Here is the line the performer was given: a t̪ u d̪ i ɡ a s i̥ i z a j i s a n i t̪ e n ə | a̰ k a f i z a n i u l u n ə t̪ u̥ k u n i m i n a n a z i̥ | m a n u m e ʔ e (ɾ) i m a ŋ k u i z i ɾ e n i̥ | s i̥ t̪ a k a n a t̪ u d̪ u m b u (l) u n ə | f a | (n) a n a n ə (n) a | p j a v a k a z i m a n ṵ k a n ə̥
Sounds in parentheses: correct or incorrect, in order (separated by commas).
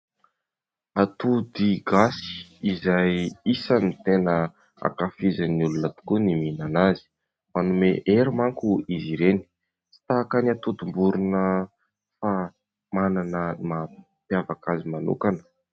correct, incorrect, incorrect, incorrect